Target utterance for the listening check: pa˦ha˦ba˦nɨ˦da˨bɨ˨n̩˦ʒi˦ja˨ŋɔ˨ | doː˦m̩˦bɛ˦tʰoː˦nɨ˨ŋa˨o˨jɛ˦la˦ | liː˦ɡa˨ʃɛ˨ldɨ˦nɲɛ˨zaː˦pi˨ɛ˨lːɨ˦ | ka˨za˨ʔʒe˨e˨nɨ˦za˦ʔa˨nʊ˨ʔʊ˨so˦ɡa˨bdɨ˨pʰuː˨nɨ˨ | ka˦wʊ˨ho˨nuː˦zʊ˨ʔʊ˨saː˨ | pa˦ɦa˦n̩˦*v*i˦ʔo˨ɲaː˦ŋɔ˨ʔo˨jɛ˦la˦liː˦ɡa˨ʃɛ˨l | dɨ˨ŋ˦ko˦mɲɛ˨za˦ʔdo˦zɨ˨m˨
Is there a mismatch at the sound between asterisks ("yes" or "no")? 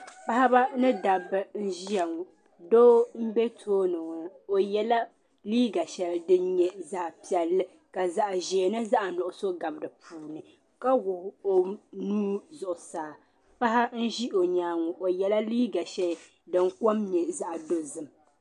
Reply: yes